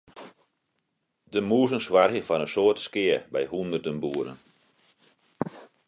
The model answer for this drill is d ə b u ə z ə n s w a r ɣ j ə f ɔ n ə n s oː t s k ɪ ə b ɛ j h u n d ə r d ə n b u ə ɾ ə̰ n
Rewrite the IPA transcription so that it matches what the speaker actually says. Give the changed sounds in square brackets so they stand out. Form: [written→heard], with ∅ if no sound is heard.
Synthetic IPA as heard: d ə [b→m] u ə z ə n s w a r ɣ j ə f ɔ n ə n s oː t s k ɪ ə b ɛ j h u n d ə r d ə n b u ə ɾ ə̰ n